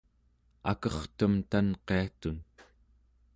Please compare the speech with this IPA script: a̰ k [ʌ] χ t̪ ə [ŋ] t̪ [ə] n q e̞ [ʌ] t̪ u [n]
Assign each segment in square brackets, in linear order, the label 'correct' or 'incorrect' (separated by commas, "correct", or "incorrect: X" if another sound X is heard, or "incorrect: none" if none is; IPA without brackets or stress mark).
correct, incorrect: m, incorrect: a, incorrect: a, correct